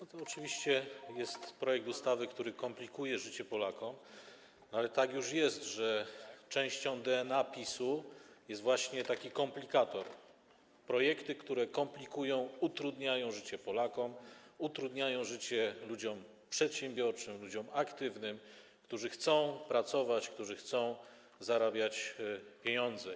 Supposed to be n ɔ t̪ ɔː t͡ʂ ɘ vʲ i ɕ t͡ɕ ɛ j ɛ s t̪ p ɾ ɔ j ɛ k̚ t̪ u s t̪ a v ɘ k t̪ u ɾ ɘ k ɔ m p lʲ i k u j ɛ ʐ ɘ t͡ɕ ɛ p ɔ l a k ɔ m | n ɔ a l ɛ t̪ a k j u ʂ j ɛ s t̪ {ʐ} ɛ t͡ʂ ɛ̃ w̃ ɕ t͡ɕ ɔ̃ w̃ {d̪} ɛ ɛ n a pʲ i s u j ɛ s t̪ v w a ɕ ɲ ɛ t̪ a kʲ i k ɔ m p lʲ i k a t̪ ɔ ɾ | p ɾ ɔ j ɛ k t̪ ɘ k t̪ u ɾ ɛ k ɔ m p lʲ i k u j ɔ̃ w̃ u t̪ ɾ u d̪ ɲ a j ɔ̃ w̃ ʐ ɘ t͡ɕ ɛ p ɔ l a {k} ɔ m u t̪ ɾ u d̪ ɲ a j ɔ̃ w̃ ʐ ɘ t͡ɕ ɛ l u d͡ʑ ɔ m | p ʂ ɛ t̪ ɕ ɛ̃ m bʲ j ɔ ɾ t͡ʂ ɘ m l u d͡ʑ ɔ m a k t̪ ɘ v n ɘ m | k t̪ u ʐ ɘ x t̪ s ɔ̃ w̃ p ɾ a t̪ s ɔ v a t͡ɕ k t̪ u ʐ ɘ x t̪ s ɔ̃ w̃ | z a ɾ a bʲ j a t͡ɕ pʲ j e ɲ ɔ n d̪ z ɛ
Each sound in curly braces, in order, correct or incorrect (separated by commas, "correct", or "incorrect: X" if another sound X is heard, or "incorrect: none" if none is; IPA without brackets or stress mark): correct, correct, correct